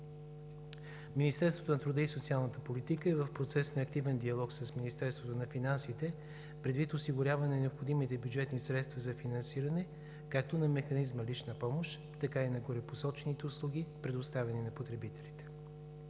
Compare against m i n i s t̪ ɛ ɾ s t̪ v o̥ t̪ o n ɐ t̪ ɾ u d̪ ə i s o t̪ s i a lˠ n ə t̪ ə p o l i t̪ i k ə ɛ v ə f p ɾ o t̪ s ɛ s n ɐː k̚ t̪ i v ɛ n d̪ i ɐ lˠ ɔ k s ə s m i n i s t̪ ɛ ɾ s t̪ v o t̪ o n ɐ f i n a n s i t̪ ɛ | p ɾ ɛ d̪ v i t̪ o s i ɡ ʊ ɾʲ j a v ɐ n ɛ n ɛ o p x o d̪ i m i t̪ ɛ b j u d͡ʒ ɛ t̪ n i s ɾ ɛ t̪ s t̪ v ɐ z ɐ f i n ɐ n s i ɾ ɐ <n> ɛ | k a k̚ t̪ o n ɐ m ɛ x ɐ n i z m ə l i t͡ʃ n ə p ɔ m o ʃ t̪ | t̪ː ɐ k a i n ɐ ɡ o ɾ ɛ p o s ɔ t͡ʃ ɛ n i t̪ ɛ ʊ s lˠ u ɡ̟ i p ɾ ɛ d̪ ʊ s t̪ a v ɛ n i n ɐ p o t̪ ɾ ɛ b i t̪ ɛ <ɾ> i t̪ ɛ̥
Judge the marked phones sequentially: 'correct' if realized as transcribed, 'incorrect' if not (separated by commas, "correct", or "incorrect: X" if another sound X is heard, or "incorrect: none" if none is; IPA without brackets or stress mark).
correct, incorrect: l